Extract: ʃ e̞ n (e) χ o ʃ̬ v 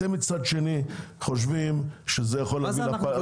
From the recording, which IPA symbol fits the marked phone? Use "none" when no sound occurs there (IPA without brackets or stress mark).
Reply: i